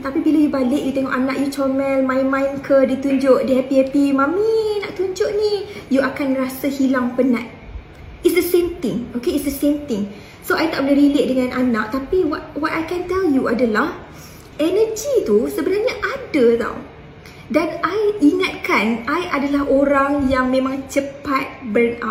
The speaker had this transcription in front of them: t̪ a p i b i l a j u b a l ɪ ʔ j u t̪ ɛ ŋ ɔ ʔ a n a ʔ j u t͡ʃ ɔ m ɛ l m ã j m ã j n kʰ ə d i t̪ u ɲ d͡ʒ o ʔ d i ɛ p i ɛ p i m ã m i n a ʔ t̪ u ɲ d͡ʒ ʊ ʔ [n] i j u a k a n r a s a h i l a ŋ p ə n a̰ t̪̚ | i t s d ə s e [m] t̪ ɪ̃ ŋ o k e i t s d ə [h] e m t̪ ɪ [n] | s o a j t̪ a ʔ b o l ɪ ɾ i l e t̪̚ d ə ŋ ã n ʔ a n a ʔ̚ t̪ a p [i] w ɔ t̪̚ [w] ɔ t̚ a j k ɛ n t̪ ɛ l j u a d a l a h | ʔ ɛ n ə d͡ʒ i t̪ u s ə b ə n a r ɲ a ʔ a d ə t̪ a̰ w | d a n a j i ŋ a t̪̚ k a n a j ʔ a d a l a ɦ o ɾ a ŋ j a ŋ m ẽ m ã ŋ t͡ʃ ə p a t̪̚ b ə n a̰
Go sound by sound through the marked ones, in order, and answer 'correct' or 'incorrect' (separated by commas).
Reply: correct, correct, incorrect, incorrect, correct, correct